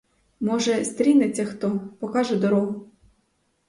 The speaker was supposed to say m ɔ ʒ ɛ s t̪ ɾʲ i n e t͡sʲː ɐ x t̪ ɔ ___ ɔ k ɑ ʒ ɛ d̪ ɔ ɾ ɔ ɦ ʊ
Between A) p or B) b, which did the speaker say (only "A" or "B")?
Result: A